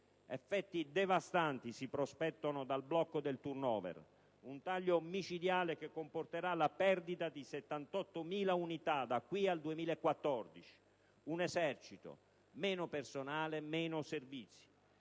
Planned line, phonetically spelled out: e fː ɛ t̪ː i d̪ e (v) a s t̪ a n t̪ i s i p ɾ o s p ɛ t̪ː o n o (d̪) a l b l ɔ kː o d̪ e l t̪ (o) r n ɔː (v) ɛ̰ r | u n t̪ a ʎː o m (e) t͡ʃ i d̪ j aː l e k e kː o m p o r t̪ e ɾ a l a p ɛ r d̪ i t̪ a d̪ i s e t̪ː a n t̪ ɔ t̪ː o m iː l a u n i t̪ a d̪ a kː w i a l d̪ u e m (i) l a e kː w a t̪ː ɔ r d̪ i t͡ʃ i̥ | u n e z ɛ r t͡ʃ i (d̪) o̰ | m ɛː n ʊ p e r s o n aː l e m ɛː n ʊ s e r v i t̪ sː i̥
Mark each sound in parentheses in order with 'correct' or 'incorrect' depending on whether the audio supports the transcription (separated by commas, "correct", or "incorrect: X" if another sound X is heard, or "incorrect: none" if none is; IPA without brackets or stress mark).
correct, correct, incorrect: u, correct, incorrect: i, incorrect: iː, incorrect: t̪